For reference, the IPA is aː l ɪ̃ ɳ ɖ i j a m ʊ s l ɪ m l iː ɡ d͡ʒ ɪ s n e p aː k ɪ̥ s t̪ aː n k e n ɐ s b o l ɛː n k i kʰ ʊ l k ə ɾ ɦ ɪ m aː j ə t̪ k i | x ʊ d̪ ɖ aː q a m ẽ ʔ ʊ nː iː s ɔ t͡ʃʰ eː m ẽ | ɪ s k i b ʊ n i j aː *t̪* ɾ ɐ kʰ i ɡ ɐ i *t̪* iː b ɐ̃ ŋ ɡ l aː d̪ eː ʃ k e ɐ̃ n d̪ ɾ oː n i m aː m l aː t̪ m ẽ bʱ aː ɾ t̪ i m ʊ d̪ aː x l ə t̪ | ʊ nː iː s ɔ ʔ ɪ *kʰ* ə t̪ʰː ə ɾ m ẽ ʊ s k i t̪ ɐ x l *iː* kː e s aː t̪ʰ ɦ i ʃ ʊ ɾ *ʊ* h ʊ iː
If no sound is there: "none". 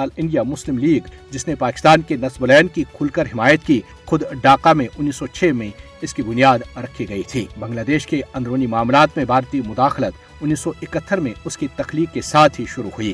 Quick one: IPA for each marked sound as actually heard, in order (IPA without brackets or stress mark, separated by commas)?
d̪, t̪ʰ, k, iː, u